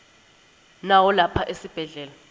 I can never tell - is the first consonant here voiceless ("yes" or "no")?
no